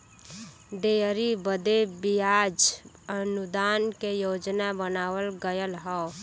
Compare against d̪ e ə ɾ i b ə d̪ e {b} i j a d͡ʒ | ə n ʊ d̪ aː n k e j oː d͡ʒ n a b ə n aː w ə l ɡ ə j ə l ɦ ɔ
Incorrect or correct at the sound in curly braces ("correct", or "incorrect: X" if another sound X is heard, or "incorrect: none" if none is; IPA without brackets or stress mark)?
correct